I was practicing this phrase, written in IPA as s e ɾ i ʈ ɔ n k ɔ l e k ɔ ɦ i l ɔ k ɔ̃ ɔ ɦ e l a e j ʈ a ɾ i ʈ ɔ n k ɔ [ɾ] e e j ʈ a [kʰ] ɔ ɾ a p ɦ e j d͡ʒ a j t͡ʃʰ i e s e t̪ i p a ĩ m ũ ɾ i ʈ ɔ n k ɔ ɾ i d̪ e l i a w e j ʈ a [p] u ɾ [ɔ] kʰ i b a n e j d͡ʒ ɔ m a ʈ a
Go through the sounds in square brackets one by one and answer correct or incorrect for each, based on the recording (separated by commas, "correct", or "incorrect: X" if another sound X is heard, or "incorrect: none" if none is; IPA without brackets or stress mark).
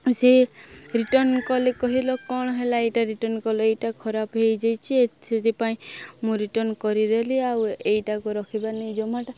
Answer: incorrect: l, correct, incorrect: k, correct